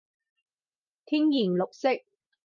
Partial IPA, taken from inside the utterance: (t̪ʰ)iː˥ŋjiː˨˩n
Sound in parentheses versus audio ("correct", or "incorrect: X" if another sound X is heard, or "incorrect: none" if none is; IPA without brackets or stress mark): correct